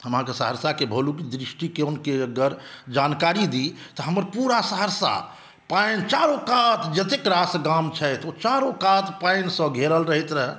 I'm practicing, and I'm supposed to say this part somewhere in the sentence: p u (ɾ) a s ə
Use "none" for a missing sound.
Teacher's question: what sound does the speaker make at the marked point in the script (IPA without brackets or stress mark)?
ɾ